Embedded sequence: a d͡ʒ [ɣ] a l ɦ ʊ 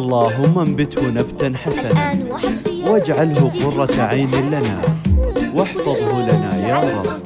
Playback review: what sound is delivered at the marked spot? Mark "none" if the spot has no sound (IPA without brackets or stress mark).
ʕ